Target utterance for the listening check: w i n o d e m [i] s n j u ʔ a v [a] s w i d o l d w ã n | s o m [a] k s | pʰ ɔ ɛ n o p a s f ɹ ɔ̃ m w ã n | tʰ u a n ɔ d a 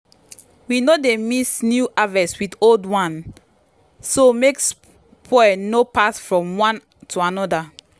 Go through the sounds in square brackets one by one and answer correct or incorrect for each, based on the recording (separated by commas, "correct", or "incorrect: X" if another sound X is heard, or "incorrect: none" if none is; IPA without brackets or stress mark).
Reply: correct, incorrect: ɛ, incorrect: e